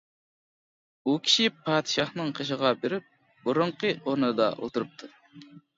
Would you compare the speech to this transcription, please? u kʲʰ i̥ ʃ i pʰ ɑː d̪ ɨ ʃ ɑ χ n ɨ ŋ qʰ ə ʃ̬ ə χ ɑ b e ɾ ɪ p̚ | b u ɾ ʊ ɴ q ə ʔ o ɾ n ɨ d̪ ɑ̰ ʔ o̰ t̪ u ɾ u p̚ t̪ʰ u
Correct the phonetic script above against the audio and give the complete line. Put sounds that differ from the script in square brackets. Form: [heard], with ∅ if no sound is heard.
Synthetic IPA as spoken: u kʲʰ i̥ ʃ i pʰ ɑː d̪ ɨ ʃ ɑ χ n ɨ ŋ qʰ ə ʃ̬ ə [ʁ] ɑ b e ɾ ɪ p̚ | b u ɾ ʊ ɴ q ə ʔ o ɾ n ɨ d̪ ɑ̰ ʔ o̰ t̪ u ɾ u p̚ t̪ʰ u